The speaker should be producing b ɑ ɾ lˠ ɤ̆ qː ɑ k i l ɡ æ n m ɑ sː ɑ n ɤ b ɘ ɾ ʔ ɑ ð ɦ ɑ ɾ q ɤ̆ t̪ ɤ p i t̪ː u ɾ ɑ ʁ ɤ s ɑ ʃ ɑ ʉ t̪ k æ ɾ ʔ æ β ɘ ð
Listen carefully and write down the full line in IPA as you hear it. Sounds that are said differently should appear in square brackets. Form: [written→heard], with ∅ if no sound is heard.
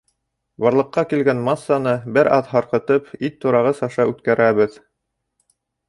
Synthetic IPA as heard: b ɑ ɾ lˠ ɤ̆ qː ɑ k i l ɡ æ n m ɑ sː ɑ n ɤ b ɘ ɾ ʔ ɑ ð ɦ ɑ ɾ q ɤ̆ t̪ ɤ p i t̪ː u ɾ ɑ ʁ ɤ s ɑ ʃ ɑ ʉ t̪ k æ ɾ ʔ æ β ɘ ð

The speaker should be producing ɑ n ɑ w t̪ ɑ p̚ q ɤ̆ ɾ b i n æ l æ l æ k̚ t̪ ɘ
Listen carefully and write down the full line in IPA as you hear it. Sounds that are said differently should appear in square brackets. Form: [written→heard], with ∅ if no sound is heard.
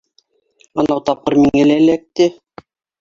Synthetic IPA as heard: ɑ n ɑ w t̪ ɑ p̚ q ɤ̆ ɾ [b→m] i [n→ŋ] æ l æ l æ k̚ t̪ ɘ

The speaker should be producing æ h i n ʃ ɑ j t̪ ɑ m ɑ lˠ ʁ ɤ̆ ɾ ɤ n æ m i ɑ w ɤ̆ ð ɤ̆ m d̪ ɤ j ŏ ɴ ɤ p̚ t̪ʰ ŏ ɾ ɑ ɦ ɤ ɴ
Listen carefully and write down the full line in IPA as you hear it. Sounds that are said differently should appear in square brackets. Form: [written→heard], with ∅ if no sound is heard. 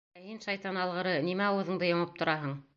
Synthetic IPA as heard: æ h i n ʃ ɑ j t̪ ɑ [m→n] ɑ lˠ ʁ ɤ̆ ɾ ɤ n [æ→i] m [i→æ] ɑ w ɤ̆ ð ɤ̆ [m→ɴ] d̪ ɤ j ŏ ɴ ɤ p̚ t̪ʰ ŏ ɾ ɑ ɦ ɤ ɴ

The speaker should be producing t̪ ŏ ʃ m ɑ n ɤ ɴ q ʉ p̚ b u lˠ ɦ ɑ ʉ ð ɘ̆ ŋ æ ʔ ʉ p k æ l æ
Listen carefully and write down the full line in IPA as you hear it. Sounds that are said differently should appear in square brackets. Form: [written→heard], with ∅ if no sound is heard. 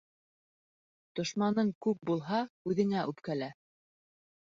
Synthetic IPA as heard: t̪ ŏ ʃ m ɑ n ɤ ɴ [q→k] ʉ p̚ b u lˠ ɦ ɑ ʉ ð ɘ̆ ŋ æ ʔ ʉ p k æ l æ

